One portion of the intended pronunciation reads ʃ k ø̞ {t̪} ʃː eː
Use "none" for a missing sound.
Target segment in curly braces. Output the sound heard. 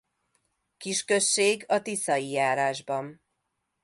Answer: none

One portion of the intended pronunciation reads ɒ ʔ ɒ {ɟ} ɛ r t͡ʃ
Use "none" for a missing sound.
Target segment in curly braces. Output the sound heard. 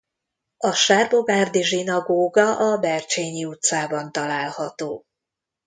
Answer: b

